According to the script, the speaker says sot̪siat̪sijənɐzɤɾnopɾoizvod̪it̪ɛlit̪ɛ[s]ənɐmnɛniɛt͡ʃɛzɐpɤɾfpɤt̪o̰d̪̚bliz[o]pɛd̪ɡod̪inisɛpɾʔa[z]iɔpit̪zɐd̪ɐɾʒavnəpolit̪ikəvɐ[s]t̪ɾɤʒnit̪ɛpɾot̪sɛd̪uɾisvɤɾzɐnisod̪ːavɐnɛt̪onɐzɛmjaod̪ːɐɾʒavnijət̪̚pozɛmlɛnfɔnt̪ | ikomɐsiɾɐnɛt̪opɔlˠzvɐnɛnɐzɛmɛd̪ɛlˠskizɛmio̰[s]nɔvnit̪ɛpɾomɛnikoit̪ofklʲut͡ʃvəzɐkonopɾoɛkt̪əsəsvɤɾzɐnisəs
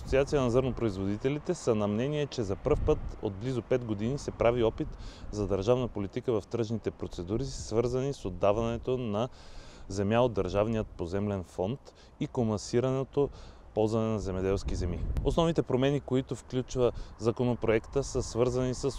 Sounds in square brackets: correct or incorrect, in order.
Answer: correct, correct, incorrect, incorrect, correct

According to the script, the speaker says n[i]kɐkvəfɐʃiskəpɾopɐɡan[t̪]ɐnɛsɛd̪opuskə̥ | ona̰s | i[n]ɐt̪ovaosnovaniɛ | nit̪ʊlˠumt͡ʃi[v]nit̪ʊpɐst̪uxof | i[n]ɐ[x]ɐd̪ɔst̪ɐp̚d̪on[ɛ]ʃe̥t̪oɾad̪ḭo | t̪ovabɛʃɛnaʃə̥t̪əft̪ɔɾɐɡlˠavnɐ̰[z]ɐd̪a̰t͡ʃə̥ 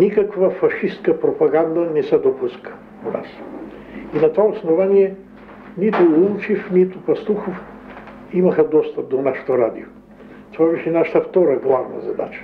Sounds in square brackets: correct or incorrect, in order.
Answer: correct, incorrect, correct, incorrect, incorrect, correct, incorrect, correct

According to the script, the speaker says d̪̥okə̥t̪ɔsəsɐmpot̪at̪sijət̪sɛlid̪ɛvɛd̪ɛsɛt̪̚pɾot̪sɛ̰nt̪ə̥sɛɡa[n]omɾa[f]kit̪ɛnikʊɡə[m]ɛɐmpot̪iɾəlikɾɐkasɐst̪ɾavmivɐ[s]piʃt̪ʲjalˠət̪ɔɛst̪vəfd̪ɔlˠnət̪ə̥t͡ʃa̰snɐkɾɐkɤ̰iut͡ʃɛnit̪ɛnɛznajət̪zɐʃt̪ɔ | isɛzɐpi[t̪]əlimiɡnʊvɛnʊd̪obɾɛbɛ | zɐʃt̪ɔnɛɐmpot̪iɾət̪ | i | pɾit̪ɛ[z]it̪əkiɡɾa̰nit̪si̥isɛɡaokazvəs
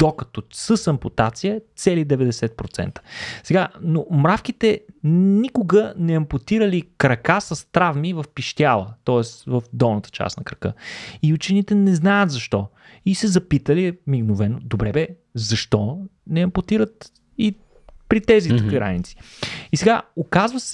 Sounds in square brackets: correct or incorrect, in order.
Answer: correct, correct, incorrect, incorrect, correct, correct

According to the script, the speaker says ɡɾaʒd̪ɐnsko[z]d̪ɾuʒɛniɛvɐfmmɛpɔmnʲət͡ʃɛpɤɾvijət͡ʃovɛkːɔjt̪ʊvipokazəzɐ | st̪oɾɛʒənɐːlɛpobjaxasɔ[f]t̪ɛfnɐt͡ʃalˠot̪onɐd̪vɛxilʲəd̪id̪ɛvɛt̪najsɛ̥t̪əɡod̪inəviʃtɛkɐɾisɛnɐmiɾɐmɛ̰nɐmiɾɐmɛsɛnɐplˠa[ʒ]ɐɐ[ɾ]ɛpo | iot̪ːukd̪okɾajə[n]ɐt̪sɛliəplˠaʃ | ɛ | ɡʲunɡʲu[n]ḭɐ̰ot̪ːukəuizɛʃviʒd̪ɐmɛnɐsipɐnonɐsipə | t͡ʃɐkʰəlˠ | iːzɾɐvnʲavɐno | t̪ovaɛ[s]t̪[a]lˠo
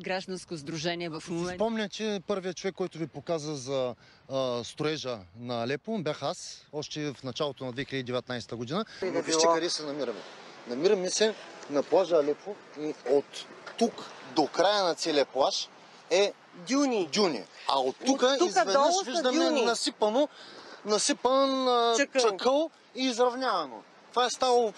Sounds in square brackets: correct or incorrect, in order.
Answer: correct, incorrect, correct, incorrect, correct, correct, correct, correct

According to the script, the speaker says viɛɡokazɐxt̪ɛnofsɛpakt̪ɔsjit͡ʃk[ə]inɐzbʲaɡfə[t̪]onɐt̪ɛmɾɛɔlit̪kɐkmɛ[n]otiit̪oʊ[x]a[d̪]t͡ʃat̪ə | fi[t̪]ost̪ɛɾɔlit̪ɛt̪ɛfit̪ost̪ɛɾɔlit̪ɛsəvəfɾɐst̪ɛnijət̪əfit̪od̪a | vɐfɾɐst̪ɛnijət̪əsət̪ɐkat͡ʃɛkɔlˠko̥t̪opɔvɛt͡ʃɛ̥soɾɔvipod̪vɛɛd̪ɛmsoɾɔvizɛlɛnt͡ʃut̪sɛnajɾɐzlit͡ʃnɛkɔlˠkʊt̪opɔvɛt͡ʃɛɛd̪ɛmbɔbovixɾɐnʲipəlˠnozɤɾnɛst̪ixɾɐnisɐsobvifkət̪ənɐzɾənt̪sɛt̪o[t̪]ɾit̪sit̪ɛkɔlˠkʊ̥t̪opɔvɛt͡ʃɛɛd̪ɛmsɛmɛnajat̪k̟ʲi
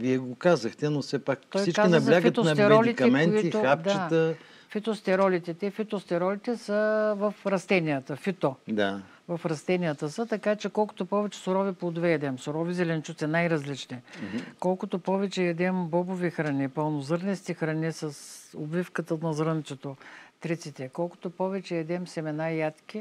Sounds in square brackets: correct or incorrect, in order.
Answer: incorrect, correct, correct, correct, correct, correct, correct

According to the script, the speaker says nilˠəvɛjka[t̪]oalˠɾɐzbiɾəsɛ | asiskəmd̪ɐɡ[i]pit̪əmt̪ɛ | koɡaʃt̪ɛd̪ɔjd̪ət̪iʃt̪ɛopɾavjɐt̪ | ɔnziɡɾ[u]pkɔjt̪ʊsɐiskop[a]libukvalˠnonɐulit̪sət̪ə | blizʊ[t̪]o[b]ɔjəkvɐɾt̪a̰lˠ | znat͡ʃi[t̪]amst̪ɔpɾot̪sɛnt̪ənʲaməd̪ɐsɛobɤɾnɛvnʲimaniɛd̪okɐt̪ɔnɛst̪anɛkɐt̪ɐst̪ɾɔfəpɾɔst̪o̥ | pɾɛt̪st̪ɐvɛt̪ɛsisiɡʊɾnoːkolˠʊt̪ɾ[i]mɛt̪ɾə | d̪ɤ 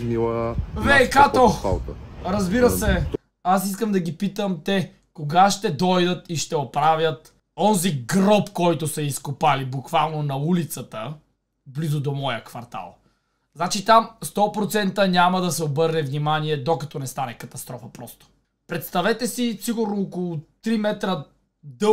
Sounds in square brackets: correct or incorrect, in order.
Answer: correct, correct, incorrect, correct, incorrect, incorrect, correct, correct

